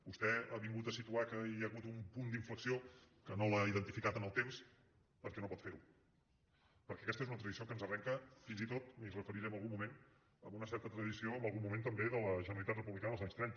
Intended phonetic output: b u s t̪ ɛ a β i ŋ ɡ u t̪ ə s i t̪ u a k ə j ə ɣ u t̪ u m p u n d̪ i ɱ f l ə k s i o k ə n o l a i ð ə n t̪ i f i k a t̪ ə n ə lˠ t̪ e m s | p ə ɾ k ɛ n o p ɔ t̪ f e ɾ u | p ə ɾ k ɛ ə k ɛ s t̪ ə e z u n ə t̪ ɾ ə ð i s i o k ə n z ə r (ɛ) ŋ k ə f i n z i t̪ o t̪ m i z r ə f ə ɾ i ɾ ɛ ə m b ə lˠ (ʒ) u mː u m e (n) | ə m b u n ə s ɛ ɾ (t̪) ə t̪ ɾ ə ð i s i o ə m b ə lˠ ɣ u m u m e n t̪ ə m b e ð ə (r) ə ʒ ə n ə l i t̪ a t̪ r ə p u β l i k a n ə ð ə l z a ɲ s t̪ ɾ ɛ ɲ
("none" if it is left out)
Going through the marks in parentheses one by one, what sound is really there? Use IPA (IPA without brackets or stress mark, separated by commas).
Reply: ɛ, ɣ, n, t̪, l